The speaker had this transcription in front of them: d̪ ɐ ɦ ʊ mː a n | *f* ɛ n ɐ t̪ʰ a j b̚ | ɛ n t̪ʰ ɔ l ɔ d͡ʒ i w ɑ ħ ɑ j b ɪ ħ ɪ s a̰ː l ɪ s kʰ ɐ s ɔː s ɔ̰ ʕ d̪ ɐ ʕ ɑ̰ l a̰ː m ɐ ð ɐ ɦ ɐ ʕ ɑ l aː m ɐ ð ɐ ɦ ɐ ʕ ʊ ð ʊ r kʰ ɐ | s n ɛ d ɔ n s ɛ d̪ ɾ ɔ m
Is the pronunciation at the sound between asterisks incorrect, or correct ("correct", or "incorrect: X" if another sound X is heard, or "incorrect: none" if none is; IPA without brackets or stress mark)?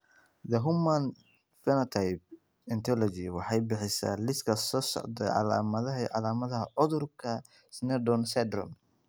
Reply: correct